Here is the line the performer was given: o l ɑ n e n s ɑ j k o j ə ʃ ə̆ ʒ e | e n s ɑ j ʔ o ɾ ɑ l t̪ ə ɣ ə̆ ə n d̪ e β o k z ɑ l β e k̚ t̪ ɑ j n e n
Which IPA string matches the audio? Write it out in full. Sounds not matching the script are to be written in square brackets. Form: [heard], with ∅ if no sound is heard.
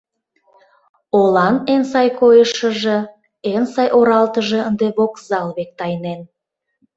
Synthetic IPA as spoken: o l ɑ n e n s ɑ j k o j ə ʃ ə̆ ʒ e | e n s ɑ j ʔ o ɾ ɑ l t̪ ə [ʒ] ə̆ ə n d̪ e β o k z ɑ l β e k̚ t̪ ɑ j n e n